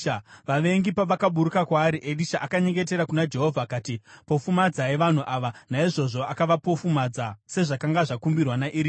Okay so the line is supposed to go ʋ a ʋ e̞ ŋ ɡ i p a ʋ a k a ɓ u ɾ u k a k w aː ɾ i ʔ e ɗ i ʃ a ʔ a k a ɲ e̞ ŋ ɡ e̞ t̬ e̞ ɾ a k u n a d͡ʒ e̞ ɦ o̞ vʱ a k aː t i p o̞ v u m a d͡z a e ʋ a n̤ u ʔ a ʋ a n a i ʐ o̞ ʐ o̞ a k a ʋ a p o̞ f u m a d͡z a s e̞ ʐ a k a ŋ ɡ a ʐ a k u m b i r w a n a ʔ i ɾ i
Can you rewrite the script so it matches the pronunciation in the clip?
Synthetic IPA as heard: ʋ a ʋ e̞ ŋ ɡ i p a ʋ a k a ɓ u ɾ u k a k w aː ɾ i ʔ e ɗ i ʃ a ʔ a k a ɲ e̞ ŋ ɡ e̞ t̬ e̞ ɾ a k u n a d͡ʒ e̞ ɦ o̞ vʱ a k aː t i p o̞ f u m a d͡z a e ʋ a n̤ u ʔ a ʋ a n a i ʐ o̞ ʐ o̞ a k a ʋ a p o̞ f u m a d͡z a s e̞ ʐ a k a ŋ ɡ a ʐ a k u m b i r w a n a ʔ i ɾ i